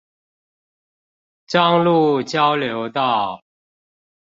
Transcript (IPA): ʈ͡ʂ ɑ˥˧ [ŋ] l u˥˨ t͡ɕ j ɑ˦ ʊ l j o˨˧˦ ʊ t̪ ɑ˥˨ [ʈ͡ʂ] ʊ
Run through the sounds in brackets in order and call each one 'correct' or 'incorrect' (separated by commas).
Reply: correct, incorrect